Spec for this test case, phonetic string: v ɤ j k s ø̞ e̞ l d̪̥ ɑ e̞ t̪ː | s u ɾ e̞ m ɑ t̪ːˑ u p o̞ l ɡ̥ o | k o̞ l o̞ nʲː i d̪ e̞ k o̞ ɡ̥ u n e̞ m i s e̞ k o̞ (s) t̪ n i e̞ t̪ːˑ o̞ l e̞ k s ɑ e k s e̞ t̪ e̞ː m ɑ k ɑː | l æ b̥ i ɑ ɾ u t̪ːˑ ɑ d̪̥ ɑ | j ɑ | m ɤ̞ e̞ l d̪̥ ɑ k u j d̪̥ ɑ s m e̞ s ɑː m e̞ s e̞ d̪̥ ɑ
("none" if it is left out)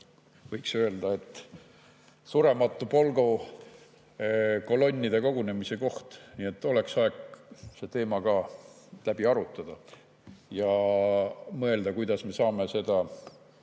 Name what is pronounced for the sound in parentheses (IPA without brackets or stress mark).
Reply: h